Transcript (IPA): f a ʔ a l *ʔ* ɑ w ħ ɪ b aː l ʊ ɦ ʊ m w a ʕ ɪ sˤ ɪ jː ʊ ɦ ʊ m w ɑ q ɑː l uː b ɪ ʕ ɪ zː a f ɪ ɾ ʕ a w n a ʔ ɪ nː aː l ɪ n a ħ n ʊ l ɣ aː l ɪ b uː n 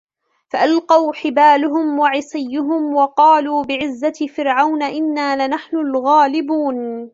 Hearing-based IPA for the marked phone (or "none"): q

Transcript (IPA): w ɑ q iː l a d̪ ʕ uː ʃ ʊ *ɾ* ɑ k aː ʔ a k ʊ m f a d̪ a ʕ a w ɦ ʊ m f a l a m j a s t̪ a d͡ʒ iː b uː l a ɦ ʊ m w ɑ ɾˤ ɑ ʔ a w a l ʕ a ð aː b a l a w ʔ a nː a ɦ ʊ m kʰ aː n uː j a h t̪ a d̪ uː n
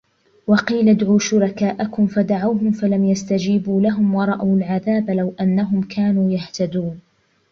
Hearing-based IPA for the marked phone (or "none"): ɾ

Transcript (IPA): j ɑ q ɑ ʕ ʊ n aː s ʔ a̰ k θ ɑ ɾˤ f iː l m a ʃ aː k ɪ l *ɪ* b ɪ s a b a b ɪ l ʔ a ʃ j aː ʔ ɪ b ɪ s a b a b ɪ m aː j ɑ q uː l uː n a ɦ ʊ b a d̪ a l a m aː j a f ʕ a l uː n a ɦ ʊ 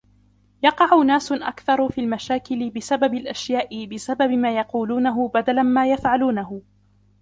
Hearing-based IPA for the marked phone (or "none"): ɪ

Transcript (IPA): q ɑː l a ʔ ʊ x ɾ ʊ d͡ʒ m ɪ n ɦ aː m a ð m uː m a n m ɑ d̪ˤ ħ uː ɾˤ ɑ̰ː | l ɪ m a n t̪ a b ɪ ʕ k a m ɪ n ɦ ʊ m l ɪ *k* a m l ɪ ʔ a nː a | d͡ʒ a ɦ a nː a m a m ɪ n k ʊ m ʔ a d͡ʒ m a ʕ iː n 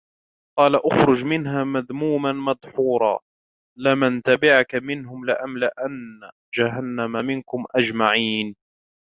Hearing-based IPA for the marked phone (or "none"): ʔ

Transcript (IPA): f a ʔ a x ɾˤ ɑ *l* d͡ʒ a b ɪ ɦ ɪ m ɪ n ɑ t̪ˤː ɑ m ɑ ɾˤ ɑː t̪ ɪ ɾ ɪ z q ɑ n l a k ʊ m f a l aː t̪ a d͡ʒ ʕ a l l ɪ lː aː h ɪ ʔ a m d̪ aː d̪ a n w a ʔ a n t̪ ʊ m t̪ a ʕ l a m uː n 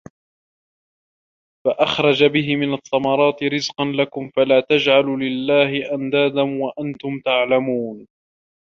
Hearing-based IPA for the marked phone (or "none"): none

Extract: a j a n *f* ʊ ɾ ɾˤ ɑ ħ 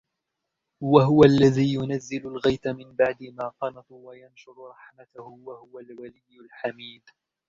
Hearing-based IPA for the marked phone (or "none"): ʃ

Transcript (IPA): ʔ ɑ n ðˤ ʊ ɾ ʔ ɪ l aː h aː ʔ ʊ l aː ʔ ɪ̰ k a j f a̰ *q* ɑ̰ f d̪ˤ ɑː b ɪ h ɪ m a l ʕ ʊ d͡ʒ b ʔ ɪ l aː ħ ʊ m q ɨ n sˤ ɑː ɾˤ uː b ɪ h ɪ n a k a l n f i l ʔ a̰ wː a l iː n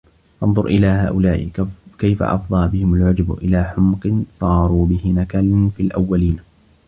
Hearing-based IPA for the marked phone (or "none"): ʔ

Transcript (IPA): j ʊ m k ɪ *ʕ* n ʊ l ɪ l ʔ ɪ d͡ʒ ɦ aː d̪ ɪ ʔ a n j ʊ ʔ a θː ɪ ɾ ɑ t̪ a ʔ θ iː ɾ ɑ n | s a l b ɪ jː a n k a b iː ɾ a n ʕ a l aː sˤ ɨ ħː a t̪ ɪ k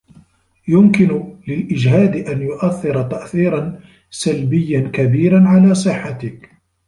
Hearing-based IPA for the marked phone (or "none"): none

